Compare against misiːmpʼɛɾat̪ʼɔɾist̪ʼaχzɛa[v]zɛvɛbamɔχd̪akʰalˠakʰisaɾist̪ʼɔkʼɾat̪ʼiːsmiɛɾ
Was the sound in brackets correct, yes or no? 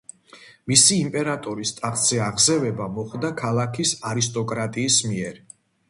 no